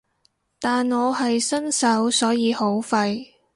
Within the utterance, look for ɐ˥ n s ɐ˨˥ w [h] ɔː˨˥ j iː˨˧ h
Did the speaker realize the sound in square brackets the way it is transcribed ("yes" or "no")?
no